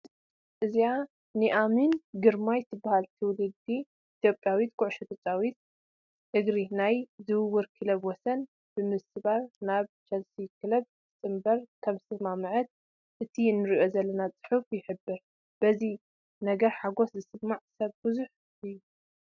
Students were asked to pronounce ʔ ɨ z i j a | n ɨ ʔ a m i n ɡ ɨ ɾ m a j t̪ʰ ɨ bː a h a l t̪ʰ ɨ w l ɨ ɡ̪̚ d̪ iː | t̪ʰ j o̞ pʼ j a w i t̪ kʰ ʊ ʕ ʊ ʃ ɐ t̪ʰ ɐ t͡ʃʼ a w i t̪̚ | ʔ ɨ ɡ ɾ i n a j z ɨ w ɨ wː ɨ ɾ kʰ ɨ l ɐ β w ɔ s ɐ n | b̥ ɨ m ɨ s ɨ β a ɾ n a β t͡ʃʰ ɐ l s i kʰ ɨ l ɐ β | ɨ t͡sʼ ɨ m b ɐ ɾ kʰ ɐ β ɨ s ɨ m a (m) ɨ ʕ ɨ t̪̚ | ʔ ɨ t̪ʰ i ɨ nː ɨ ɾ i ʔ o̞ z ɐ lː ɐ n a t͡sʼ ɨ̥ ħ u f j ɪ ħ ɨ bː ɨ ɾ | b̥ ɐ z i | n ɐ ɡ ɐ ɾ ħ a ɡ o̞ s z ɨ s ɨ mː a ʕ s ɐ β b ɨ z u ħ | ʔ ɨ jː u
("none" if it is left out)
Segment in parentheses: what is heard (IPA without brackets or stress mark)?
m